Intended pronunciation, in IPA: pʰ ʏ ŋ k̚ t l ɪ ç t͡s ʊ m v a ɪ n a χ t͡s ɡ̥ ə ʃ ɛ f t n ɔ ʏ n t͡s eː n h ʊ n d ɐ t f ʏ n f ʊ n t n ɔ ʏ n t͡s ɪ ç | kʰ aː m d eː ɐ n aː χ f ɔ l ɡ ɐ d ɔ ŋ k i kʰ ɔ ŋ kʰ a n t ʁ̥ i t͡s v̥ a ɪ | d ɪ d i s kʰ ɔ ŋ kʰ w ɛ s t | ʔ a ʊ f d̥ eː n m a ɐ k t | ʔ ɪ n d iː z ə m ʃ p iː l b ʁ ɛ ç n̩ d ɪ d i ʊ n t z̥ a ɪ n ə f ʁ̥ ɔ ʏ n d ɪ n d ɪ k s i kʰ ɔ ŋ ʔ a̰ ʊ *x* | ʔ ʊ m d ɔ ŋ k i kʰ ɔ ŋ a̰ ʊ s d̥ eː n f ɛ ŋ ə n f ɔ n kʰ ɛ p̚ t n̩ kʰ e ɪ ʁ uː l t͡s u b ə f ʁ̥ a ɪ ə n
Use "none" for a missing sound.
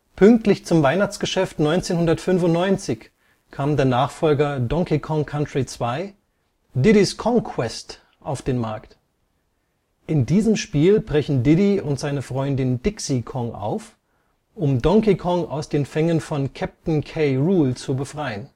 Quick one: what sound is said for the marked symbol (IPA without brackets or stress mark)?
f